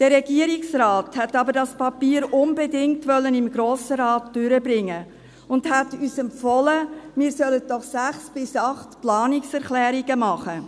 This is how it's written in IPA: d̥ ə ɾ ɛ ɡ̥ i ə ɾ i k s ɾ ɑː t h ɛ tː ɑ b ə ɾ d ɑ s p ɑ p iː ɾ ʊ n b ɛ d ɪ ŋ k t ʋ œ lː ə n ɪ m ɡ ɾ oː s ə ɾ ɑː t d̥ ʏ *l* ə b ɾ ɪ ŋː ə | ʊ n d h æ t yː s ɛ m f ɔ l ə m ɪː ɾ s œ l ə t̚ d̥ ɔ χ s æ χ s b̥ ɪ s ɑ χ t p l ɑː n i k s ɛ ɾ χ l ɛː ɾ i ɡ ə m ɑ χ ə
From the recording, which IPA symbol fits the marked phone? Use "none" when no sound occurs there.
ɾ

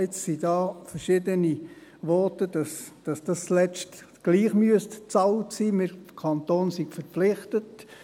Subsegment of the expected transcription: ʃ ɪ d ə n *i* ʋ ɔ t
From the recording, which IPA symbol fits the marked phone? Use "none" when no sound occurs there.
i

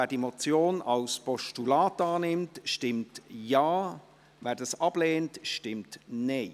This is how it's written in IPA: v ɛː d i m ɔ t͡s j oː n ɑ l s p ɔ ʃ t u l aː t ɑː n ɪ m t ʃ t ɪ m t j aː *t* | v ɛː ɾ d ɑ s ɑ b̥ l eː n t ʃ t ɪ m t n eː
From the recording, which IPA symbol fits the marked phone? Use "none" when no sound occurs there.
none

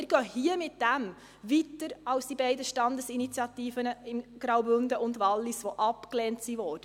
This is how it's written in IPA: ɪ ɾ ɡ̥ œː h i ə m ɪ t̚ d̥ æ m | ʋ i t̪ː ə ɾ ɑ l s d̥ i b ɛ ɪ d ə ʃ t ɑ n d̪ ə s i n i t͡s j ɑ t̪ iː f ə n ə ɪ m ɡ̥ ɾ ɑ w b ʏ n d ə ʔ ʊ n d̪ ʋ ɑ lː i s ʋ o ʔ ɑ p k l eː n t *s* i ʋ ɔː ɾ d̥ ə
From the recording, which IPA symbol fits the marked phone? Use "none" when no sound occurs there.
s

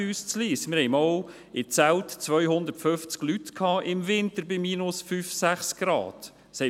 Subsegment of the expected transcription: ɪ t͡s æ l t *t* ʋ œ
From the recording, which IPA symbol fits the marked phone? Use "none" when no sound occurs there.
t͡s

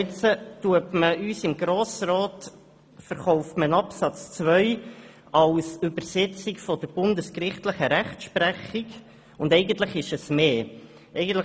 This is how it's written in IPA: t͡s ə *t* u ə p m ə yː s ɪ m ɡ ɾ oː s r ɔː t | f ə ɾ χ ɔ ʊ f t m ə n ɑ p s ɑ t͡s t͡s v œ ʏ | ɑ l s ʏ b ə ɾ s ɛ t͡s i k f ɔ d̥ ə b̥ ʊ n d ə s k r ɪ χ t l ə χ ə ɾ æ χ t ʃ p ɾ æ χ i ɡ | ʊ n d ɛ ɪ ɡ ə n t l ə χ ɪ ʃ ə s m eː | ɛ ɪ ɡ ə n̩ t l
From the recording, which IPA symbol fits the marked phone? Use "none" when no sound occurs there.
t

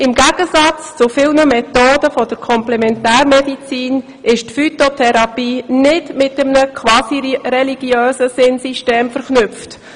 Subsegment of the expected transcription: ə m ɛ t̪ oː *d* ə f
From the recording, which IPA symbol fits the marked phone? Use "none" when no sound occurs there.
d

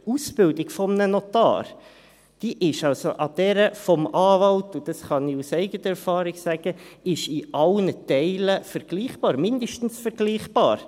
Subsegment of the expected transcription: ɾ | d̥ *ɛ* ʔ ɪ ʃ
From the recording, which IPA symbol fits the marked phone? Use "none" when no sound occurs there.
i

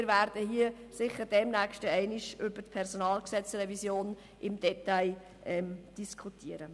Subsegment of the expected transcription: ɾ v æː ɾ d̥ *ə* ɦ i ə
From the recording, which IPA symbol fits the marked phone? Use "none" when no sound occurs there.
ə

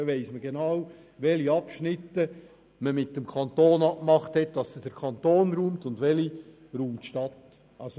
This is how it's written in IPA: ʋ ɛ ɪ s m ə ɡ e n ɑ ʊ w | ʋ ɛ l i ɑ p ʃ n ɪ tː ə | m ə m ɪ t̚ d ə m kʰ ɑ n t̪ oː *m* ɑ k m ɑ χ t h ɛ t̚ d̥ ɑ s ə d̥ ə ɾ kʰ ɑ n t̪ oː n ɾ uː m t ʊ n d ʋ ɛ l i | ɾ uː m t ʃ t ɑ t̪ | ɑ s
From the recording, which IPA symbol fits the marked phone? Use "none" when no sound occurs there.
n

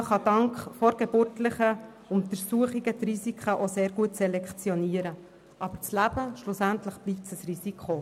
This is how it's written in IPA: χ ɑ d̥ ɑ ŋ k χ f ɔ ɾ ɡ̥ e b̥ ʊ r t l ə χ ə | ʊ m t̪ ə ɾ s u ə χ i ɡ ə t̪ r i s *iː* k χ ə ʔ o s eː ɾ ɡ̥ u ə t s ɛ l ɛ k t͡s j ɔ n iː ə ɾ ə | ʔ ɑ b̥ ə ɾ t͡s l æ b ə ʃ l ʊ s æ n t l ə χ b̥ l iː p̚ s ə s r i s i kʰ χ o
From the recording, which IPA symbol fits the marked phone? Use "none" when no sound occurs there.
i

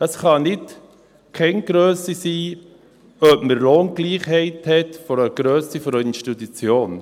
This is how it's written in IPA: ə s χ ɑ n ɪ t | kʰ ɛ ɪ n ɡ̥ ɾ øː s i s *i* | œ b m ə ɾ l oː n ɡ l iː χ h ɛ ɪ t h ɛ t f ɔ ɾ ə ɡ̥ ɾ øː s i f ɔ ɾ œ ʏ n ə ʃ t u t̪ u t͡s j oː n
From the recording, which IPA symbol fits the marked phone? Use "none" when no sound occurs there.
iː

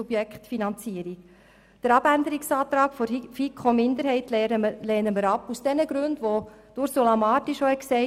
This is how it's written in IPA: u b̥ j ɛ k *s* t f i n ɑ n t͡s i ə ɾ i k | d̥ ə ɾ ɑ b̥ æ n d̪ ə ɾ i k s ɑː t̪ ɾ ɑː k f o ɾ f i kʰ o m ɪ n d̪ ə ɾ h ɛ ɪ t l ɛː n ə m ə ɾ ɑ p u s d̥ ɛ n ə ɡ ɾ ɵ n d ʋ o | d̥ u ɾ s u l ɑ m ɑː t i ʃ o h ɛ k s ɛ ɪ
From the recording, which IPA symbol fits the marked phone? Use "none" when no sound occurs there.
χ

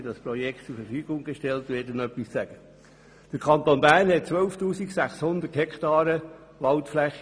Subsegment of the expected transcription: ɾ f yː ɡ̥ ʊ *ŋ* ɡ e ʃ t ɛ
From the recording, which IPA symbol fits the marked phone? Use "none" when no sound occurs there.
ŋ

